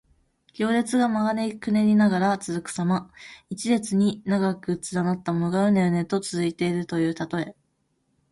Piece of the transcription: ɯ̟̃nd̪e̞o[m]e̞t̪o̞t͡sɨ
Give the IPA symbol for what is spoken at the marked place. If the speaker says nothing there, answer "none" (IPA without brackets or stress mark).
n